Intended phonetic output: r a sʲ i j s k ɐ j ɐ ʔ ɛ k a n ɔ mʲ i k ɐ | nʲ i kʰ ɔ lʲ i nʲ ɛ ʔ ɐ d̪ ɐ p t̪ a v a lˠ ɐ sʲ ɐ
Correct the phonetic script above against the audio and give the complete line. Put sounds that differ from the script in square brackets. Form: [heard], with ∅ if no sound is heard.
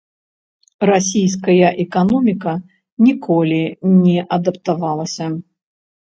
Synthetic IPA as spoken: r a sʲ i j s k ɐ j ɐ ʔ ɛ k a n ɔ mʲ i k ɐ | nʲ i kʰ ɔ lʲ i nʲ ɛ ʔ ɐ d̪ ɐ p t̪ a v a lˠ ɐ sʲ ɐ